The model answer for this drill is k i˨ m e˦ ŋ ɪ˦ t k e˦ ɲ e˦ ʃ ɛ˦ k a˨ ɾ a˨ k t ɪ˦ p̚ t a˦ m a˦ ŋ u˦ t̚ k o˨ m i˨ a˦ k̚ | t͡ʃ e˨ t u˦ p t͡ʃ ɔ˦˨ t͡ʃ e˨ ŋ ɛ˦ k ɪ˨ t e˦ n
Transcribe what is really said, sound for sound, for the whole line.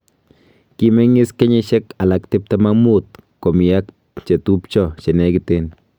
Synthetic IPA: k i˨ m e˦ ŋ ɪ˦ s k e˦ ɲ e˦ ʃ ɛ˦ k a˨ l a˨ k t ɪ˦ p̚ t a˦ m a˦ m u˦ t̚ k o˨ m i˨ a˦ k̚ | t͡ʃ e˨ t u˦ p t͡ʃ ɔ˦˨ t͡ʃ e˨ n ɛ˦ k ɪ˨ t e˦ n